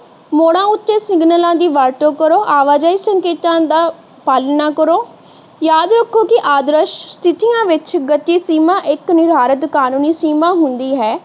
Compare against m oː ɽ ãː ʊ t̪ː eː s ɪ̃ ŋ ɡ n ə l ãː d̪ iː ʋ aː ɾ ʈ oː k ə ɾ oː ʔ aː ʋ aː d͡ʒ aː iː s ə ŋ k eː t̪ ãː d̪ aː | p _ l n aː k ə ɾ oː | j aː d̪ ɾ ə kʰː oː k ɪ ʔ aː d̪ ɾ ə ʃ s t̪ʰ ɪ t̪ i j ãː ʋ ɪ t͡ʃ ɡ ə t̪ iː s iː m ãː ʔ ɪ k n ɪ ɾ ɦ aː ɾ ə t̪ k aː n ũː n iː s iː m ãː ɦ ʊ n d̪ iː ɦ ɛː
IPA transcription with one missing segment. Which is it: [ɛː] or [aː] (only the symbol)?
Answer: aː